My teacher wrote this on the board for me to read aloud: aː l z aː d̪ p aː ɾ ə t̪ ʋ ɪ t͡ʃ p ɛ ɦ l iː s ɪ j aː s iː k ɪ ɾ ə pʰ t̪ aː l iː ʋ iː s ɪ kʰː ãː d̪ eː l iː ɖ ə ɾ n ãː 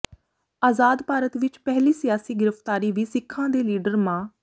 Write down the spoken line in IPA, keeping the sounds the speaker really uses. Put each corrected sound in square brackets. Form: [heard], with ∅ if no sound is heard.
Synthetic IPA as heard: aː [∅] z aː d̪ p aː ɾ ə t̪ ʋ ɪ t͡ʃ p ɛ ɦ l iː s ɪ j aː s iː [ɡ] ɪ ɾ ə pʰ t̪ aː [ɾ] iː ʋ iː s ɪ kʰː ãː d̪ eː l iː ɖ ə ɾ [m] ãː

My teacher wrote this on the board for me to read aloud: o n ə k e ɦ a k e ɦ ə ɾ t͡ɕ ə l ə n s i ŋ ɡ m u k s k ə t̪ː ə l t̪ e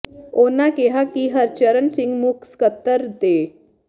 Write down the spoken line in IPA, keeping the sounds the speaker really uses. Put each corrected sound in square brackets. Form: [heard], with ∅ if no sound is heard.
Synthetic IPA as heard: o n [a] k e ɦ a k [i] ɦ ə ɾ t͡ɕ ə [ɾ] ə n s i ŋ ɡ m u k s k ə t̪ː ə [ɾ] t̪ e

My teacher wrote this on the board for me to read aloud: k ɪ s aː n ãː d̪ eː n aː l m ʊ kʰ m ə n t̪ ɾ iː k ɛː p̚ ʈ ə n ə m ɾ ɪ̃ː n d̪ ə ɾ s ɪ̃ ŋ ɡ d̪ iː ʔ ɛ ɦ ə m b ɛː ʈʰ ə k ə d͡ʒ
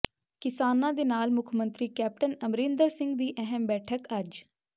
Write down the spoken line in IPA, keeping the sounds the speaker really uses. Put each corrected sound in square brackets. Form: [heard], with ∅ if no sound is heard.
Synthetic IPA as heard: k ɪ s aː n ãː d̪ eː n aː l m ʊ kʰ m ə n t̪ ɾ iː k ɛː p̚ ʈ ə n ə m ɾ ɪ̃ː n d̪ ə ɾ s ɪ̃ ŋ ɡ d̪ iː ʔ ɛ ɦ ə m b ɛː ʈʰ ə k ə d͡ʒ

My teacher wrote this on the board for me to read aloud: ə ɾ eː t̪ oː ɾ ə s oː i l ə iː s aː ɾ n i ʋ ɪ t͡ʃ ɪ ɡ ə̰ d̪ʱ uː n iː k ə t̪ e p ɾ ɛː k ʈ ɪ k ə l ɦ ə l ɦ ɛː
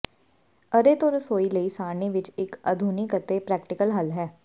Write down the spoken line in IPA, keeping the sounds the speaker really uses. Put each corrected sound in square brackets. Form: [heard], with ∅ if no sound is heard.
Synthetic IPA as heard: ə ɾ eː t̪ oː ɾ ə s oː i l ə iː s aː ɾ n i ʋ ɪ t͡ʃ ɪ [k] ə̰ d̪ʱ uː n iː k ə t̪ e p ɾ ɛː k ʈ ɪ k ə l ɦ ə l ɦ ɛː

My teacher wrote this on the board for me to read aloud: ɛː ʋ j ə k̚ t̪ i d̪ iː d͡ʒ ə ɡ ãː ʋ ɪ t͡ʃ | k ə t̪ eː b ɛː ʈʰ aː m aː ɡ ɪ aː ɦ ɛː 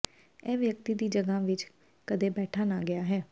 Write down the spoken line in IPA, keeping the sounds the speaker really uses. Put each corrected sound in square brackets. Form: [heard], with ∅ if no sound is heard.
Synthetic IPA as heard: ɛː ʋ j ə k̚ t̪ [iː] d̪ iː d͡ʒ ə ɡ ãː ʋ ɪ t͡ʃ | k ə [d̪] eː b ɛː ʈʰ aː [n] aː ɡ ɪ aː ɦ ɛː

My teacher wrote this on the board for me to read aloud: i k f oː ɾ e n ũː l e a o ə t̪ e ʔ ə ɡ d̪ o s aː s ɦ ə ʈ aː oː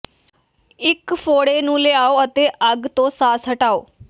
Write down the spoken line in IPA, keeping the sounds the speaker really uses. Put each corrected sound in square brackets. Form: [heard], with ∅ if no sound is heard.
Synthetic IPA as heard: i k f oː [ɽ] e n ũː l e a o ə t̪ e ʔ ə ɡ [t̪] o s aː s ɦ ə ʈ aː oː

